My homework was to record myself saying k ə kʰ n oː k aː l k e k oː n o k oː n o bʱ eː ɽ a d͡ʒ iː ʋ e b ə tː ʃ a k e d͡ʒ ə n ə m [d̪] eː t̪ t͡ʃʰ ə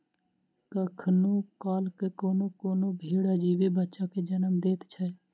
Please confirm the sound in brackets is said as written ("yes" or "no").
yes